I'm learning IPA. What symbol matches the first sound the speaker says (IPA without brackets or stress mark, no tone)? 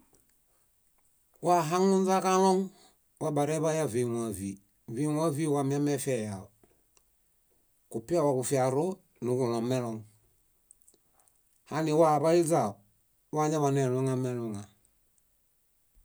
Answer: w